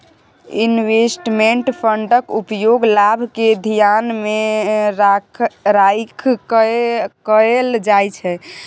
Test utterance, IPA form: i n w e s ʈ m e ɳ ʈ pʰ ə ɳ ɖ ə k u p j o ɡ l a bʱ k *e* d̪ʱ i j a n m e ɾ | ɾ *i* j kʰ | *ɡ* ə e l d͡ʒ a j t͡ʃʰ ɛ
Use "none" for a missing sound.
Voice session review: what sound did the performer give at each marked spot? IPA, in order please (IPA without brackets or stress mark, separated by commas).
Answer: e, a, k